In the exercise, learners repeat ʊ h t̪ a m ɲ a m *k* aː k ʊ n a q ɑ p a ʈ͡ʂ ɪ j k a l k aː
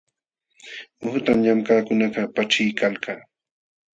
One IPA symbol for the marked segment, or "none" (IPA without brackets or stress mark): k